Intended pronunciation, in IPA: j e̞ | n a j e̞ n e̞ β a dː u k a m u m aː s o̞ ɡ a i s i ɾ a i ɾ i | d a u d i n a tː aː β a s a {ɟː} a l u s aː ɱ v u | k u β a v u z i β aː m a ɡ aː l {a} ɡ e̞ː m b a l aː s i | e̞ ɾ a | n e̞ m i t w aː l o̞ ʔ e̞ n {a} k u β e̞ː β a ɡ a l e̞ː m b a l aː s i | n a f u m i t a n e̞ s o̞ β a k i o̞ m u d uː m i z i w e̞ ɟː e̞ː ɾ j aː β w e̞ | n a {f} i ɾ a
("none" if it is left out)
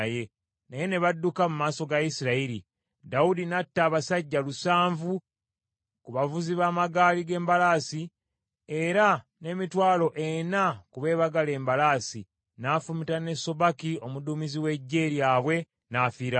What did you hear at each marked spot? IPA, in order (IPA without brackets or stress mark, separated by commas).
ɟː, i, a, f